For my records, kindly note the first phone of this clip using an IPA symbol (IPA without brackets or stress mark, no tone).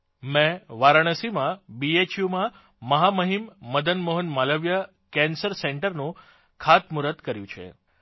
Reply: m